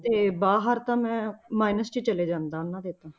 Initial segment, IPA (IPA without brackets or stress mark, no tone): t̪